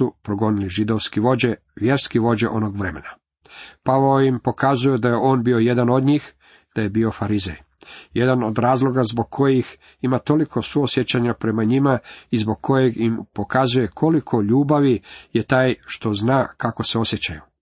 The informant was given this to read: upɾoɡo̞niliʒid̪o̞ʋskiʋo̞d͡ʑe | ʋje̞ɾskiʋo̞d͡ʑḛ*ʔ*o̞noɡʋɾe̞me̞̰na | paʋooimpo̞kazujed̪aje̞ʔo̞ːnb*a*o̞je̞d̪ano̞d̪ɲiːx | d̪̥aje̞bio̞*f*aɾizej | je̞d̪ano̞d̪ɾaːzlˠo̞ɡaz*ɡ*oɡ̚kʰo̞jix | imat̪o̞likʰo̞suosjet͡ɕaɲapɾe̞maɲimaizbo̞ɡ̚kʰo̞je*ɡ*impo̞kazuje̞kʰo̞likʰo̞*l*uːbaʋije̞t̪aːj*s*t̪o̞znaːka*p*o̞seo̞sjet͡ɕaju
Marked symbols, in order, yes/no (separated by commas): yes, no, yes, no, yes, no, no, no